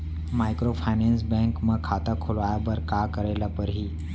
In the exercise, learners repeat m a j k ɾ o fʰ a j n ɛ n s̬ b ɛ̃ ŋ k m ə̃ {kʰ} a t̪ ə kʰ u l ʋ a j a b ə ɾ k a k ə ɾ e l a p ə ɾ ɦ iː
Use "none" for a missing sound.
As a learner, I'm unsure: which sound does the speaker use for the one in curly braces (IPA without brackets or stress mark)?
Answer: kʰ